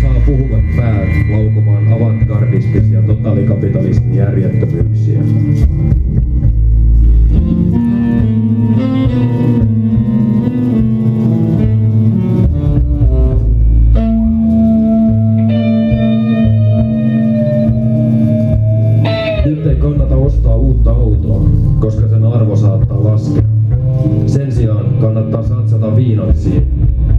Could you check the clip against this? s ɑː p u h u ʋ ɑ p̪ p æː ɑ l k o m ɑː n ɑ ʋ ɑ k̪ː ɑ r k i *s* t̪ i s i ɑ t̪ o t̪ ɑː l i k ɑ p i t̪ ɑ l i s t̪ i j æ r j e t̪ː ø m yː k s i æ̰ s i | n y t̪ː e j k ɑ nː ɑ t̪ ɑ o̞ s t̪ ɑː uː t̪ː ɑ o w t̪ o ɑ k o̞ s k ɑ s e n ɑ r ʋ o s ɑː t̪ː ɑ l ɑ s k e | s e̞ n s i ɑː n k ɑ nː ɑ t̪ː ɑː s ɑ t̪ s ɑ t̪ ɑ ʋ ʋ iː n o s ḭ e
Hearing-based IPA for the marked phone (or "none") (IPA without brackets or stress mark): s